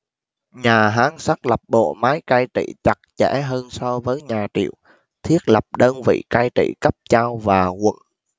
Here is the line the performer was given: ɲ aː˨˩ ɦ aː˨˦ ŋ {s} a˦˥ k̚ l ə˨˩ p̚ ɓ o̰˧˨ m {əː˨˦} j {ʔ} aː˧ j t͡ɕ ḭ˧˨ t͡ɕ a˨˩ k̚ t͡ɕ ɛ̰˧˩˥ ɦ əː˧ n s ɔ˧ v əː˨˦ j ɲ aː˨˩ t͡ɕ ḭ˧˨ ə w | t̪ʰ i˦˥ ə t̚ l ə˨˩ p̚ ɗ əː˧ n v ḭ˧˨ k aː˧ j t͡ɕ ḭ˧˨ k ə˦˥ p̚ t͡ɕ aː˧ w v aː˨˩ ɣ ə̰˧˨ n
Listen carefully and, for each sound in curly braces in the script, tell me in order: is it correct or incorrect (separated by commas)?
correct, incorrect, incorrect